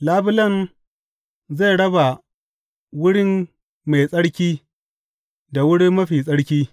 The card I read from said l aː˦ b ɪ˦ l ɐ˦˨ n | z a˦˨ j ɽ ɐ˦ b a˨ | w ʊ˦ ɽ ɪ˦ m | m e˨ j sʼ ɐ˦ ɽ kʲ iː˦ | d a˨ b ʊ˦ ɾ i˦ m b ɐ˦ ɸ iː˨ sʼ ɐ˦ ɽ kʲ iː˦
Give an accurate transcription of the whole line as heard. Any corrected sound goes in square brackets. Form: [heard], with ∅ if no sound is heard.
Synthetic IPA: l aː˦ b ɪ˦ l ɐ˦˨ n | z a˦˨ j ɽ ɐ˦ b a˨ | w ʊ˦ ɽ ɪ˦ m | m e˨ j sʼ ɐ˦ ɽ kʲ iː˦ | d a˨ [w] ʊ˦ [ɽ] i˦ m [m] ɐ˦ ɸ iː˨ sʼ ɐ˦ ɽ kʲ iː˦